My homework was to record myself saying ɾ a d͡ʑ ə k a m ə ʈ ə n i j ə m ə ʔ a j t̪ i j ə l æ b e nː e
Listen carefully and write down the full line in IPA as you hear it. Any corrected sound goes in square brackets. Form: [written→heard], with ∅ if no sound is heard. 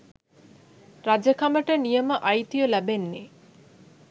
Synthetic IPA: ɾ a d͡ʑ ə k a m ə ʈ ə n i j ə m ə ʔ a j t̪ i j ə l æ b e nː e